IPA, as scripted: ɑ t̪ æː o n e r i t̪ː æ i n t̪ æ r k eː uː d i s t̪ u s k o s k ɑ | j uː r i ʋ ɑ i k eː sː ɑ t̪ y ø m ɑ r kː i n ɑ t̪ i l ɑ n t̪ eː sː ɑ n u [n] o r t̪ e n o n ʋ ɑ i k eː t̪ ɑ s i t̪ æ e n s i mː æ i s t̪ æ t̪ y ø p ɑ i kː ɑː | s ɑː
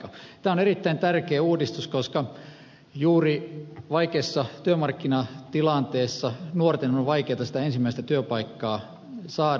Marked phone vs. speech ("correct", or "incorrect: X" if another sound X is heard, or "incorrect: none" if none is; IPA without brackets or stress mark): incorrect: none